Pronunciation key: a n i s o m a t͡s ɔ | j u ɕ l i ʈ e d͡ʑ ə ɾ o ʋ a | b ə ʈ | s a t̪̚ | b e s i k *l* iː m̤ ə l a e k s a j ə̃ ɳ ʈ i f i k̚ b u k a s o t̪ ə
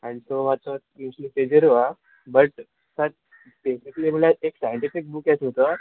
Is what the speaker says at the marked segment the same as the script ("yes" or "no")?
yes